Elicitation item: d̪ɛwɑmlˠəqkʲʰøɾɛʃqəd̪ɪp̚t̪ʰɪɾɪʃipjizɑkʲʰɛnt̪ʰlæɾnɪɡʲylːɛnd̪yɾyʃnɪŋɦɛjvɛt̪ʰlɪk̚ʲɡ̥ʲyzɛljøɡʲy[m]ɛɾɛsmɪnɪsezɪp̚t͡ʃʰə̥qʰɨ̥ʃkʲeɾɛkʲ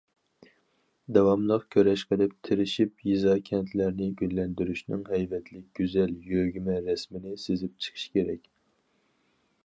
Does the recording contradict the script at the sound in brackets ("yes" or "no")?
no